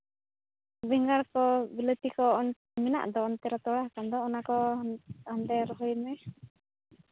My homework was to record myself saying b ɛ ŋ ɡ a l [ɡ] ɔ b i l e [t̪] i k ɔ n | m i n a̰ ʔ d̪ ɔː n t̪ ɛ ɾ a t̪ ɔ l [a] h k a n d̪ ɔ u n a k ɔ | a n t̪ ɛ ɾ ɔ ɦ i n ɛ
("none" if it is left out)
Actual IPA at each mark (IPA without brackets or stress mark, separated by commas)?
k, t̪, a